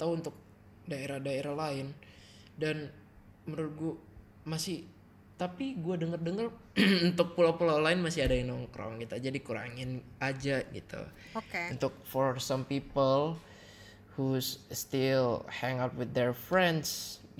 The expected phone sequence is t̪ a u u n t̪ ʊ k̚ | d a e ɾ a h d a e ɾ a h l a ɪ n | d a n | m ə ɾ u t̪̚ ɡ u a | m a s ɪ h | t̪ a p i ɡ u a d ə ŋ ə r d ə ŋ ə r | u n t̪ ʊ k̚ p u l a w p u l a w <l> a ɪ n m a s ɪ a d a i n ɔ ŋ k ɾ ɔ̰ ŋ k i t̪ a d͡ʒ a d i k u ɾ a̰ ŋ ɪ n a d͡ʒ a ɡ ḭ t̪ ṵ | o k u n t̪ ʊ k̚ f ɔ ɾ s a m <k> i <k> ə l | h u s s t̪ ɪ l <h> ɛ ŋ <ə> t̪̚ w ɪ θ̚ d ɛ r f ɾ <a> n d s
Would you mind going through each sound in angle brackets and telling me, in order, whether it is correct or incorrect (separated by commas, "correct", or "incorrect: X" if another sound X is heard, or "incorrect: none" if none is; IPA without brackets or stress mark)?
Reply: correct, incorrect: p, incorrect: p, correct, incorrect: a, incorrect: ɛ